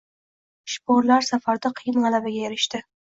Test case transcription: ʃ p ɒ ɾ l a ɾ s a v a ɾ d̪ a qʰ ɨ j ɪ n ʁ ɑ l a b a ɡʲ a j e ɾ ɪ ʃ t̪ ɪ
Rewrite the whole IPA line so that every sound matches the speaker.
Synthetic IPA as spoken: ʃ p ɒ ɾ l a ɾ s a f a ɾ d̪ a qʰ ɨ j ɪ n ʁ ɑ l a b a ɡʲ a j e ɾ ɪ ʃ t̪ ɪ